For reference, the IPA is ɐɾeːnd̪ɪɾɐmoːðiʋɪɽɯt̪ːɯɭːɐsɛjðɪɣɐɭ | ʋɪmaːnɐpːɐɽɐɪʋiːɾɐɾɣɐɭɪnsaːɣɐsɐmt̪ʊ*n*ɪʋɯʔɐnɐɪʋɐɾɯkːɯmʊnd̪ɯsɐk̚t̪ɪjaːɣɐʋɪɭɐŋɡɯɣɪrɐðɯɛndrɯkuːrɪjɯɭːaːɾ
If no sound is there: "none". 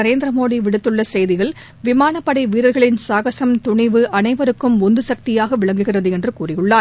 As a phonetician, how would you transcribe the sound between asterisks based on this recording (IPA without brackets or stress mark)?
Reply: ɳ